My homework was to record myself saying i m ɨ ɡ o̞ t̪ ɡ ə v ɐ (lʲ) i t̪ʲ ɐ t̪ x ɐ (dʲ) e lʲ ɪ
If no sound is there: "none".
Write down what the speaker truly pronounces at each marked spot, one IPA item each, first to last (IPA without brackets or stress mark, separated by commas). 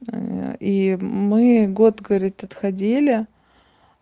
ɾʲ, dʲ